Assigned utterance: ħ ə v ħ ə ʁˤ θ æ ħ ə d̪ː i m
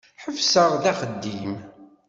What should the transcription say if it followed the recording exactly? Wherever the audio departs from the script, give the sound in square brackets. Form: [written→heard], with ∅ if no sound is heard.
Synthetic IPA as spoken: ħ ə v [ħ→s] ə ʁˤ [θ→ð] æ [ħ→χ] ə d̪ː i m